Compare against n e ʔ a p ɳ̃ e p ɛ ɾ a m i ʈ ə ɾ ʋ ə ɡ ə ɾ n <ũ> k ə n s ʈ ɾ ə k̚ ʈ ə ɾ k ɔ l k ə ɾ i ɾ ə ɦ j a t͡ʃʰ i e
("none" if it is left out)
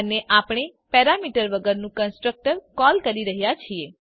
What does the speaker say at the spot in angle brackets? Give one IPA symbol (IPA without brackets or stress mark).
ũ